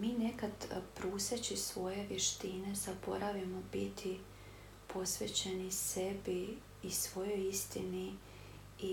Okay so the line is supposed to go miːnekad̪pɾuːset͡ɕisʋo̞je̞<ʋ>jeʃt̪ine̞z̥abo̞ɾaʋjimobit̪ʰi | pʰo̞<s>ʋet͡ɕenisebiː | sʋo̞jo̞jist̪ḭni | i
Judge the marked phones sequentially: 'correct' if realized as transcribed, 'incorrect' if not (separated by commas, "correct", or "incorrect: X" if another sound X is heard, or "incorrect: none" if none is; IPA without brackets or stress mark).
correct, correct